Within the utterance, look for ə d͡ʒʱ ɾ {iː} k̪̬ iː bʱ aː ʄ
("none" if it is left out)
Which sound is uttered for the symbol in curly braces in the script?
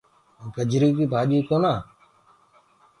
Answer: iː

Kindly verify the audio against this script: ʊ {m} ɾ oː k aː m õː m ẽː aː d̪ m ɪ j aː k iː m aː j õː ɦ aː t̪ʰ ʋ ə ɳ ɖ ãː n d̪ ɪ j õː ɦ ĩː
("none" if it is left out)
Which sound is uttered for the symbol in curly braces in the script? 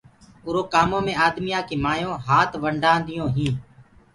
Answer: none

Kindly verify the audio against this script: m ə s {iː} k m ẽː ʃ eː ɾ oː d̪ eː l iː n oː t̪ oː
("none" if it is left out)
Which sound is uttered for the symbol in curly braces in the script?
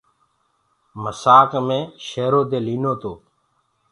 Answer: aː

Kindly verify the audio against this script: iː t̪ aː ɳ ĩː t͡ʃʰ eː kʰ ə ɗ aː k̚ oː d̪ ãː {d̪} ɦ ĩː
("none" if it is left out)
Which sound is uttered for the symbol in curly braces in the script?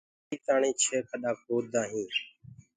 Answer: none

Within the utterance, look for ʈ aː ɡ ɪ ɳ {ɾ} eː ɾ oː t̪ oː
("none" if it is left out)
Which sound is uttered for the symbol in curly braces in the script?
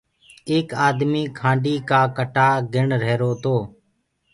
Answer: ɾ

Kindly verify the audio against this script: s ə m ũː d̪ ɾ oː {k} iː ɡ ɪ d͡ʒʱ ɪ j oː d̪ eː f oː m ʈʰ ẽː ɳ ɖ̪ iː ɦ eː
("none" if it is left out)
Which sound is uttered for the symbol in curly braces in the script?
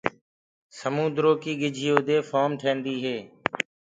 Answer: k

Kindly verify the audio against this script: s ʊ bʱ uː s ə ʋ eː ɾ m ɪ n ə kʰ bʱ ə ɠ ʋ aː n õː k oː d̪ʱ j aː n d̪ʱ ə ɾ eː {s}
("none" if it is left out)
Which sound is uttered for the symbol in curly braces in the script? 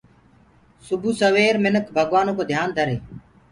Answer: none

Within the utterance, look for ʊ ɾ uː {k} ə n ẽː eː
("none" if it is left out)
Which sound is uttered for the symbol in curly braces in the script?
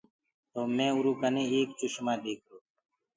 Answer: k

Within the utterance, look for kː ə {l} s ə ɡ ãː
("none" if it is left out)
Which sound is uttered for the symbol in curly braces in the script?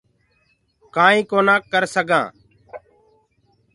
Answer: ɾ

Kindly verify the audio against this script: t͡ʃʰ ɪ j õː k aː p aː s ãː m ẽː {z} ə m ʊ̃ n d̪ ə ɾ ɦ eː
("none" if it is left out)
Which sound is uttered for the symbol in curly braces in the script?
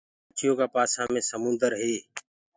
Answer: s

